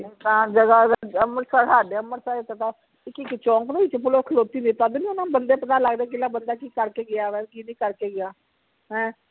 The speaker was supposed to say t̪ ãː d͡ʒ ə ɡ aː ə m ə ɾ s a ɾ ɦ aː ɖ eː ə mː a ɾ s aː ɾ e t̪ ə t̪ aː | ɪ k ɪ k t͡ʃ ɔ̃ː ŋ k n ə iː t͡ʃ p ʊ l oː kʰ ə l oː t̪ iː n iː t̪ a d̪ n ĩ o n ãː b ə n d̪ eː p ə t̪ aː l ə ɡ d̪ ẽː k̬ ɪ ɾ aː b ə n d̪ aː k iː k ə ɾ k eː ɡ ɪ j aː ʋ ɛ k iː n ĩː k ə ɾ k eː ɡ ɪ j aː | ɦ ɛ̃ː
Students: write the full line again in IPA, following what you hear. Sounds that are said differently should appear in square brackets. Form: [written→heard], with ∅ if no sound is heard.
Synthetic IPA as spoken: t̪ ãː d͡ʒ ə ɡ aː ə m ə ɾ s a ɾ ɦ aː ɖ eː ə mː [a→ə] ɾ s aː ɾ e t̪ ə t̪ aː | ɪ k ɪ k t͡ʃ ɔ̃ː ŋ k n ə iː t͡ʃ p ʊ l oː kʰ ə l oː t̪ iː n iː t̪ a d̪ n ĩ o n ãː b ə n d̪ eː p ə t̪ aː l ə ɡ d̪ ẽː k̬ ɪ [ɾ→l] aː b ə n d̪ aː k iː k ə ɾ k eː ɡ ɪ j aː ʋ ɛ k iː n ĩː k ə ɾ k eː ɡ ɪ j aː | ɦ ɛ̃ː